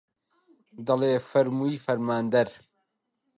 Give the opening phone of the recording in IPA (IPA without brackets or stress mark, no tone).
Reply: d̪